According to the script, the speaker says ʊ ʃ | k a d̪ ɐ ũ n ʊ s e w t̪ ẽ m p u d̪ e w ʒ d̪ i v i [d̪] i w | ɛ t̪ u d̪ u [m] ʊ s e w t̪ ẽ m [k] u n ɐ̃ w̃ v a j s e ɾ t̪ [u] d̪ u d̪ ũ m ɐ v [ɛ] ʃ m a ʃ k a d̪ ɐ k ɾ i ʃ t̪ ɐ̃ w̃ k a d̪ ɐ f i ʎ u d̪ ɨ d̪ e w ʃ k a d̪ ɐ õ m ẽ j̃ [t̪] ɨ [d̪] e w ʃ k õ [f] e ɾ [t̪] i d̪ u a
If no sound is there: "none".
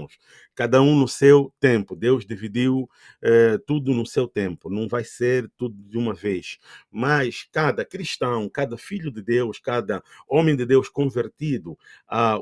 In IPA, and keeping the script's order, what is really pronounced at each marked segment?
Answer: d̪, n, p, u, e, d̪, d̪, v, t̪

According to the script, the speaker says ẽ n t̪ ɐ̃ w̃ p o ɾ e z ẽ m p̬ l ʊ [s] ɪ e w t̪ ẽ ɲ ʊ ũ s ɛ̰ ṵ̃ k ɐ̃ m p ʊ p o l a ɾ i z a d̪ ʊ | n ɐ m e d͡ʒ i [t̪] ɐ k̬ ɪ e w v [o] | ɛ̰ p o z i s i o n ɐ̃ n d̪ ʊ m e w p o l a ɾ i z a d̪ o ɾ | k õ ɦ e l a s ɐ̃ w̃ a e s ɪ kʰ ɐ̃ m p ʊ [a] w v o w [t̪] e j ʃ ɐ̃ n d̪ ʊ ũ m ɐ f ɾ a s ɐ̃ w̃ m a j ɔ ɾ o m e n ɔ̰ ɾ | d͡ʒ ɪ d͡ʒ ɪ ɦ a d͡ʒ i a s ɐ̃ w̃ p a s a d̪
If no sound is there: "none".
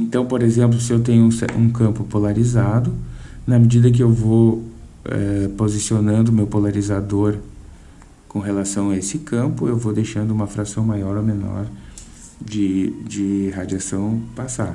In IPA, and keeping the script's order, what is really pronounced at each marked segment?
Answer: s, d̪, o, e, d̪

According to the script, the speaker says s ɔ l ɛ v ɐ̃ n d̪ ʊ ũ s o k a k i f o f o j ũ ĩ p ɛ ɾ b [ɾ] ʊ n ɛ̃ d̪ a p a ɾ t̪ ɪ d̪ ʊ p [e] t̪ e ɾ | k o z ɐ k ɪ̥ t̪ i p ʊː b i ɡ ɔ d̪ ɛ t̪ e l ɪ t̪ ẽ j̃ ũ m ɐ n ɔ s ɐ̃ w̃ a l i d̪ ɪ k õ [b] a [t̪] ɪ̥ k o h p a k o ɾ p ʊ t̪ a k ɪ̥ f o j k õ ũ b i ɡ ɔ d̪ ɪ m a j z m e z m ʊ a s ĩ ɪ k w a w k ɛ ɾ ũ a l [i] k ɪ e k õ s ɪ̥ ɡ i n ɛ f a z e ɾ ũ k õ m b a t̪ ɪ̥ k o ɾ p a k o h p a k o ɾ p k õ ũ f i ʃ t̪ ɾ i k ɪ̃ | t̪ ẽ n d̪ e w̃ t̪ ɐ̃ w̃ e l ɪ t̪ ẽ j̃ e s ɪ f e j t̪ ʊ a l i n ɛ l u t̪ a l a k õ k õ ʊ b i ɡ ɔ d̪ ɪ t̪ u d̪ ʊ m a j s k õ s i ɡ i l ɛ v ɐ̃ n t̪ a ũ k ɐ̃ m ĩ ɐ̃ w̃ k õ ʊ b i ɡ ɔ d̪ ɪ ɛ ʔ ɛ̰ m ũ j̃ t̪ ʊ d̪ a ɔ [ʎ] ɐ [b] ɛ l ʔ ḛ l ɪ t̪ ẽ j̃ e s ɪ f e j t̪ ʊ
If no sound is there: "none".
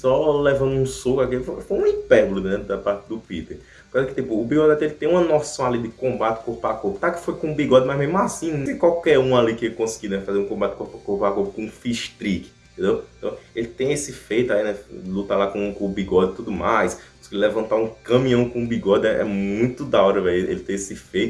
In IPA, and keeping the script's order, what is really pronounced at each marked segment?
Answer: l, i, b, t̪, i, ɾ, v

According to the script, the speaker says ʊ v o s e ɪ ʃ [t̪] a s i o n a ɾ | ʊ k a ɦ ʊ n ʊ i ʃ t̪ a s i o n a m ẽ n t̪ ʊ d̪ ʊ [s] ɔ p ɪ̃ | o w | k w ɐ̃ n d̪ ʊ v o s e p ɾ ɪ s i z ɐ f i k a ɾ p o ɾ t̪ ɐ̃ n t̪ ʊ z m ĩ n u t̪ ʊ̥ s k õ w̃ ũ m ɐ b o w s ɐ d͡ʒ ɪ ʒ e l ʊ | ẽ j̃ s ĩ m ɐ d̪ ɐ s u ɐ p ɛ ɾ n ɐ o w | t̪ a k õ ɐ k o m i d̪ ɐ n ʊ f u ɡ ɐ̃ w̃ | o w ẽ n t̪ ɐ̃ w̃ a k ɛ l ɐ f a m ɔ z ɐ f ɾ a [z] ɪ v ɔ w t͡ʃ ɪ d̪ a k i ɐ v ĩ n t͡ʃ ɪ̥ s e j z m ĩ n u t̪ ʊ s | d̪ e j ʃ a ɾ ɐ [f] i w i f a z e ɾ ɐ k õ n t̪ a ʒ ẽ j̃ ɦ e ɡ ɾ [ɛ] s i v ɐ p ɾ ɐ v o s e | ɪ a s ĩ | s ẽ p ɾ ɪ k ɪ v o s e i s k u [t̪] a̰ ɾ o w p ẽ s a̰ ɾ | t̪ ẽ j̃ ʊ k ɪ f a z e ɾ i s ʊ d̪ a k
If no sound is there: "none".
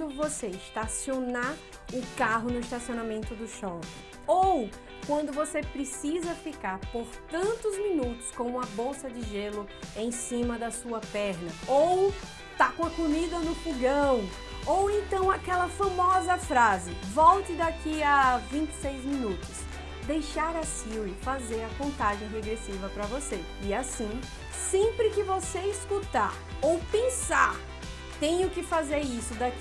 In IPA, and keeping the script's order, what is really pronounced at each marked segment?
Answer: t̪, ʃ, z, s, e, t̪

